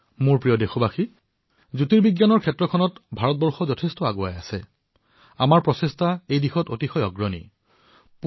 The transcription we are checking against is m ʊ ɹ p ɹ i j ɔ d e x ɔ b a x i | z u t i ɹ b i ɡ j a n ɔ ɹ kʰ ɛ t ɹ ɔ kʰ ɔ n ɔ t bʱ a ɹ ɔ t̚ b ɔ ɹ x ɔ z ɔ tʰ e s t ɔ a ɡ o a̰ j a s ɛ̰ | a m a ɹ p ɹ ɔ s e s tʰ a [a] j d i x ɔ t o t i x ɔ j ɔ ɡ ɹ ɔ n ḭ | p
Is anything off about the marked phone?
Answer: yes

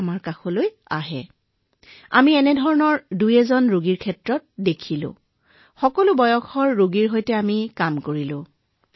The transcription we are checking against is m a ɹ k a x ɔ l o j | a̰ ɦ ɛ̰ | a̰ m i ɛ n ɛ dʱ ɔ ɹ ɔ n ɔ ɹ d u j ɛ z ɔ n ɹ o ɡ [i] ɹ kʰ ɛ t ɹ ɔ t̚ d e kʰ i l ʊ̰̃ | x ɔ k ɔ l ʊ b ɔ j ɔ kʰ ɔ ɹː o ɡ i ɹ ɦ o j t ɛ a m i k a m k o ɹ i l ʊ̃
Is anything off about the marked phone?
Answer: no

